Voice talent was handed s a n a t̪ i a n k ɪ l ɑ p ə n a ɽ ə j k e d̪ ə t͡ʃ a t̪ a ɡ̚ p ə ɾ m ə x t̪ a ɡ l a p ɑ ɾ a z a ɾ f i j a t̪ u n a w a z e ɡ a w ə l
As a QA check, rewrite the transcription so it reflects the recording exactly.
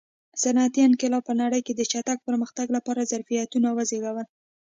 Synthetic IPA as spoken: s a n a t̪ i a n k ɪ l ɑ p ə n a ɽ ə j k e d̪ ə t͡ʃ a t̪ a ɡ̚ p ə ɾ m ə x t̪ a ɡ l a p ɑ ɾ a z a ɾ f i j a t̪ u n a w a z e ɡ a w ə l

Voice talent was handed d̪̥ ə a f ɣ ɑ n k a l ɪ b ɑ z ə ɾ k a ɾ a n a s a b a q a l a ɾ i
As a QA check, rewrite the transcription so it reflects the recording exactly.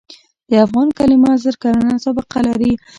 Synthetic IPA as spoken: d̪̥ ə a f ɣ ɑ n k a l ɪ m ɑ z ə ɾ k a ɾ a n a s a b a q a l a ɾ i

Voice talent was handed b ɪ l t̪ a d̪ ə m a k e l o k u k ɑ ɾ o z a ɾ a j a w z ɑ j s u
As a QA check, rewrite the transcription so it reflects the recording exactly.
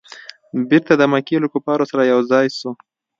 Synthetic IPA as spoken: b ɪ ɾ t̪ a d̪ ə m a k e l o k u p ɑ ɾ o s a ɾ a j a w z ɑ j s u

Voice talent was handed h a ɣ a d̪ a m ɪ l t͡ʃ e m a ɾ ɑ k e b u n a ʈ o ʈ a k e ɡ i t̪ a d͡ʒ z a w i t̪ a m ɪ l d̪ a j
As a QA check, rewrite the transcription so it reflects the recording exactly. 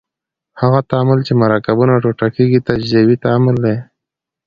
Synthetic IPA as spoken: h a ɣ a t̪ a m ɪ l t͡ʃ e m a ɾ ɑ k a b u n a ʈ o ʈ a k e ɡ i t̪ a d͡ʒ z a w i t̪ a m ɪ l d̪ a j

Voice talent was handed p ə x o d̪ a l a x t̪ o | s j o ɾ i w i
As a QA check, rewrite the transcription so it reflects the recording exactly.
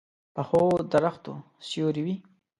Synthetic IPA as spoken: p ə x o d̪ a ɾ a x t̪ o | s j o ɾ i w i

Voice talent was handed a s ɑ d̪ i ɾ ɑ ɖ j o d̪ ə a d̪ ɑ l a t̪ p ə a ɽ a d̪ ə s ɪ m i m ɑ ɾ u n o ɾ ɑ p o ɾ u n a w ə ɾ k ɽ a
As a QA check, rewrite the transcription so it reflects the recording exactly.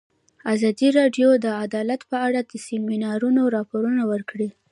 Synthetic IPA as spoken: a z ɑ d̪ i ɾ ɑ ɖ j o d̪ ə a d̪ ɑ l a t̪ p ə a ɽ a d̪ ə s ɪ m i n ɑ ɾ u n o ɾ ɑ p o ɾ u n a w ə ɾ k ɽ i

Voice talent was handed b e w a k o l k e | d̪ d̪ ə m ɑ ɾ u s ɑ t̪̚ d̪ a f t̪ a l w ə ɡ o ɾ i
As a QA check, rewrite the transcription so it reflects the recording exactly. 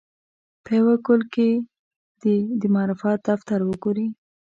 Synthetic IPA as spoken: p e w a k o l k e | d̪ d̪ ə m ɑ ɾ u f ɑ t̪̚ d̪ a f t̪ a ɾ w ə ɡ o ɾ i

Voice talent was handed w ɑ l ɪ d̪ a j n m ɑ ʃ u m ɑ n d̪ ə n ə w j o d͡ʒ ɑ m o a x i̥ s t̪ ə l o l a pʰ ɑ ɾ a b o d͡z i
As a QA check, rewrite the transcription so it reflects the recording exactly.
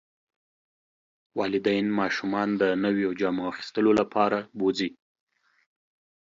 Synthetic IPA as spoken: w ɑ l ɪ d̪ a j n m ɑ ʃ u m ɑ n d̪ ə n ə w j o d͡ʒ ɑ m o a x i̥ s t̪ ə l o l a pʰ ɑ ɾ a b o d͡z i

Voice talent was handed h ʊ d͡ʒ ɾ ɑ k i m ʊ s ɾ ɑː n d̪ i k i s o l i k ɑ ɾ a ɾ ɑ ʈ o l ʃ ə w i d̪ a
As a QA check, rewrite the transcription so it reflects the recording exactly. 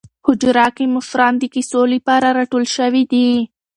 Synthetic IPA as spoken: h ʊ d͡ʒ ɾ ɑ k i m ʊ f ɾ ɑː n d̪ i k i s o l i p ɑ ɾ a ɾ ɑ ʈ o l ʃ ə w i d̪ i

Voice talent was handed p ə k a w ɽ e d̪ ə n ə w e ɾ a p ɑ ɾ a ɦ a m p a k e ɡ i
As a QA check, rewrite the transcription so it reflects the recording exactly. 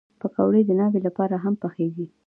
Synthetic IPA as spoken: p ə k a w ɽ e d̪ ə n ɑ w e l a p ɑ ɾ a ɦ a m p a x e ɡ i

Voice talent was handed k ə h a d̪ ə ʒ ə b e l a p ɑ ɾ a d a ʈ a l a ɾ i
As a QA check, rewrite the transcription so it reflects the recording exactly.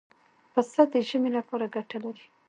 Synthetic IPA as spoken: p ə s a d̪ ə ʒ ə m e l a p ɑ ɾ a ɡ a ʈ a l a ɾ i

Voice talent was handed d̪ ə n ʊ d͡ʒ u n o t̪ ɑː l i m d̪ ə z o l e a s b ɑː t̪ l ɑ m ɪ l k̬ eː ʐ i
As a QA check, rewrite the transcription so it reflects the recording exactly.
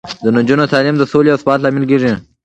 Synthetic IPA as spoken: d̪ ə n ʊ d͡ʒ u n o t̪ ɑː l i m d̪ ə s o l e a s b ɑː t̪ l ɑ m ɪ l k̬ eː ʐ i

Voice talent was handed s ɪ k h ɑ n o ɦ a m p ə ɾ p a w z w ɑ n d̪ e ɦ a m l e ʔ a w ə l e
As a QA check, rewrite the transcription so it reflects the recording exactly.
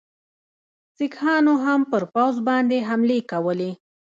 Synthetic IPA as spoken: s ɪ k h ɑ n o ɦ a m p ə ɾ p a w z b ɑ n d̪ e ɦ a m l e k a w ə l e

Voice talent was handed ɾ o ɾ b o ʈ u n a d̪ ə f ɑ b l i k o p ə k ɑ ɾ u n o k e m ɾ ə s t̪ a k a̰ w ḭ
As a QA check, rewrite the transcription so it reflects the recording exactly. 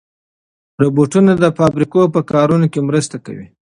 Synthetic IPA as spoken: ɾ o b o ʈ u n a d̪ ə f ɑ b ɾ i k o p ə k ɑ ɾ u n o k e m ɾ ə s t̪ a k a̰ w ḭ

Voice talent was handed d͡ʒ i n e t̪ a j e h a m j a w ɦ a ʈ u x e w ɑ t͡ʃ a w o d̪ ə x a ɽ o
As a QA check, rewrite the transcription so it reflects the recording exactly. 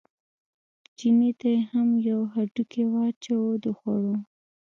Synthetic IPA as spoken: d͡ʒ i n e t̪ a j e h a m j a w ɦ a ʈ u k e w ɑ t͡ʃ a w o d̪ ə x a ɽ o

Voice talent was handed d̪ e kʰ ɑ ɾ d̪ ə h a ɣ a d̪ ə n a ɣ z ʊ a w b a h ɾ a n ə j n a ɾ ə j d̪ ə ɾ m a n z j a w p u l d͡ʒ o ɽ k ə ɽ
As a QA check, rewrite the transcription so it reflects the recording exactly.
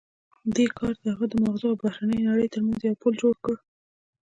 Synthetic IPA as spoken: d̪ e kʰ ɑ ɾ d̪ ə h a ɣ a d̪ ə m a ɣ z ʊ a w b a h ɾ a n ə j n a ɽ ə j t̪ ə ɾ m a n z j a w p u l d͡ʒ o ɽ k ə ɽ

